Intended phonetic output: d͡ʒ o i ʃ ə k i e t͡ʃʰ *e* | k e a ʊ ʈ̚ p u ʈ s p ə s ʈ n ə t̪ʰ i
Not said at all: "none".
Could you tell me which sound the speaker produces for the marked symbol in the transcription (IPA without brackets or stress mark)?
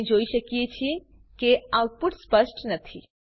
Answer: i